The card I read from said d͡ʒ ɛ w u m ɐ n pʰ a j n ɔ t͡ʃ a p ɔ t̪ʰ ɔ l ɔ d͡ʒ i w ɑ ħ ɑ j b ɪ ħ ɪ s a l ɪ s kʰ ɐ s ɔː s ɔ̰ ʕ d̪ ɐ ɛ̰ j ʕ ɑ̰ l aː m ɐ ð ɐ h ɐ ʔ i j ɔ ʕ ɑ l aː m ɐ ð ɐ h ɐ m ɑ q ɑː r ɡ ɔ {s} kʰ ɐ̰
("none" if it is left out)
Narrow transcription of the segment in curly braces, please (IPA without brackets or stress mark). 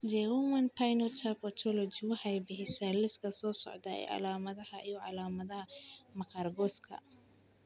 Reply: s